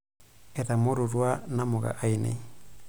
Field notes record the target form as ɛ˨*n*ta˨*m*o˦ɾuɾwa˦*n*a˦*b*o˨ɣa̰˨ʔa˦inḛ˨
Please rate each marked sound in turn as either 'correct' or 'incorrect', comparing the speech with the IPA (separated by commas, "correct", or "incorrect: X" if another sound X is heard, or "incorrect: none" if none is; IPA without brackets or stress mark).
incorrect: none, correct, correct, incorrect: m